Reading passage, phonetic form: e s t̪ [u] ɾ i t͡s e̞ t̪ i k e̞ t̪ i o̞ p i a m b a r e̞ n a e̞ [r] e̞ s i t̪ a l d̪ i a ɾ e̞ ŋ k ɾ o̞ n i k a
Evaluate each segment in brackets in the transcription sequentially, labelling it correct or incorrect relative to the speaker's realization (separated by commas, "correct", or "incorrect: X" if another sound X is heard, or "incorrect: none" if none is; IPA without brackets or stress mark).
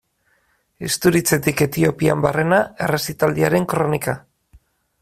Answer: correct, correct